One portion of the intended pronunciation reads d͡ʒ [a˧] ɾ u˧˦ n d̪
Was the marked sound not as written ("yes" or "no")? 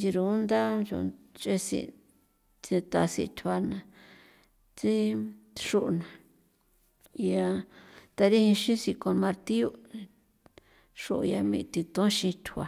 yes